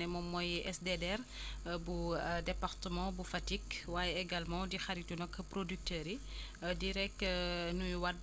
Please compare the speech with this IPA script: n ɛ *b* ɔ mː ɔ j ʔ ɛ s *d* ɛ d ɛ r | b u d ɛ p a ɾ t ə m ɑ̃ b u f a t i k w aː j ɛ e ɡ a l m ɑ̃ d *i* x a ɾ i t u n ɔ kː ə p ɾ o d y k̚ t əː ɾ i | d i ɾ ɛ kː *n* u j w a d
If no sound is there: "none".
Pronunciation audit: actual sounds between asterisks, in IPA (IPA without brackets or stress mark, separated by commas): m, d, i, n